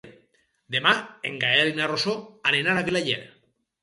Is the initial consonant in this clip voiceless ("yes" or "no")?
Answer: no